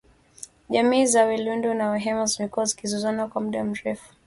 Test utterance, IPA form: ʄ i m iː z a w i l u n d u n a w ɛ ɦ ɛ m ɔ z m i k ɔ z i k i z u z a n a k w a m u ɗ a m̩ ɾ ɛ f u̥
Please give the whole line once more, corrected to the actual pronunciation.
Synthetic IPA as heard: ʄ a m iː z a w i l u n d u n a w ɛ ɦ ɛ m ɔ z m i k ɔ z i k i z u z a n a k w a m u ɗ a m̩ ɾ ɛ f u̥